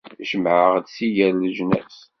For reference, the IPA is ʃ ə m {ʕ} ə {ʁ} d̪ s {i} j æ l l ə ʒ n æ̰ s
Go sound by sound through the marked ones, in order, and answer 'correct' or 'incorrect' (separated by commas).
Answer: correct, correct, correct